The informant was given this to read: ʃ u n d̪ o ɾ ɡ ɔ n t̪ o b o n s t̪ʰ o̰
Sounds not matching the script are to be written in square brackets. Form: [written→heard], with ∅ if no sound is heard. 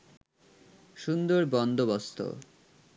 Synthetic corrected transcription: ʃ u n d̪ o ɾ [ɡ→b] ɔ n [t̪→d̪] o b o [n→∅] s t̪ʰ o̰

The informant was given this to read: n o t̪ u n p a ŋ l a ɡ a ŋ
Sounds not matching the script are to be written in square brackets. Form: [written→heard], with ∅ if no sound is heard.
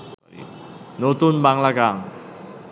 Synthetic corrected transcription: n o t̪ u n [p→b] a ŋ l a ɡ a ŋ

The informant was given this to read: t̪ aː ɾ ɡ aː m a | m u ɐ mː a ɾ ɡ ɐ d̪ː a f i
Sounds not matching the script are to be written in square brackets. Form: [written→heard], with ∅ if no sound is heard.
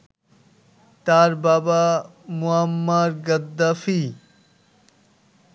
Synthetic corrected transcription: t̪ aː ɾ [ɡ→b] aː [m→b] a | m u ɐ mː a ɾ ɡ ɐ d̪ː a f i

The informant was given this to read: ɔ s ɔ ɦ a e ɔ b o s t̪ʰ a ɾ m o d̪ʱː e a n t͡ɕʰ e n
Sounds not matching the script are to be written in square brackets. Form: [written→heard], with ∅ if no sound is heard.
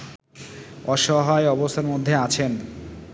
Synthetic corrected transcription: ɔ [s→ʃ] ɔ ɦ a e ɔ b o s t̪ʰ a ɾ m o d̪ʱː e a [n→∅] t͡ɕʰ e n

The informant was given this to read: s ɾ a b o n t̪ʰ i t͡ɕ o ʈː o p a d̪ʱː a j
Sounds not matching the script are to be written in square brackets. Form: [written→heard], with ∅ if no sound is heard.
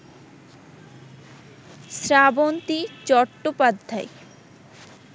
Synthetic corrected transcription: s ɾ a b o n [t̪ʰ→t̪] i t͡ɕ [o→ɔ] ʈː o p a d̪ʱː a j

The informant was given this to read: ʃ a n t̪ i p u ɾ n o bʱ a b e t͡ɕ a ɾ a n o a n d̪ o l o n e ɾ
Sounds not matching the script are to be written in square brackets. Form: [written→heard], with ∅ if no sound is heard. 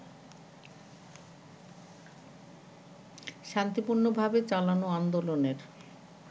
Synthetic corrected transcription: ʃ a n t̪ i p u ɾ n o bʱ a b e t͡ɕ a [ɾ→l] a n o a n d̪ o l o n e ɾ

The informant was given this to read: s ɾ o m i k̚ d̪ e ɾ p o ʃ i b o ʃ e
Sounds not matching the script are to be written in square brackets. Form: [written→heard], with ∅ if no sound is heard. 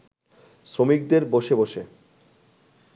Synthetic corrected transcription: s ɾ o m i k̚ d̪ e ɾ [p→b] o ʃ [i→e] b o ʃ e

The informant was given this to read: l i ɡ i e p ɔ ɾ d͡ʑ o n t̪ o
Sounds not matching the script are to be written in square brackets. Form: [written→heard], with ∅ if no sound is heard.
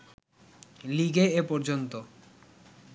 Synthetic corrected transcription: l i ɡ [i→e] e p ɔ ɾ d͡ʑ o n t̪ o

